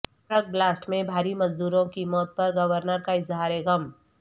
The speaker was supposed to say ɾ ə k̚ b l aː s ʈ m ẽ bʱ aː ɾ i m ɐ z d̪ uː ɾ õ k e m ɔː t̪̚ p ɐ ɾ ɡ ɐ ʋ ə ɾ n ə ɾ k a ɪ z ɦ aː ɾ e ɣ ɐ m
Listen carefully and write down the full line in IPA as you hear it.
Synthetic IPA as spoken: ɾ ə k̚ b l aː s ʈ m ẽ bʱ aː ɾ i m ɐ z d̪ uː ɾ õ k i m ɔː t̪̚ p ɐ ɾ ɡ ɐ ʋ ə ɾ n ə ɾ k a ɪ z ɦ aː ɾ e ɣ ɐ m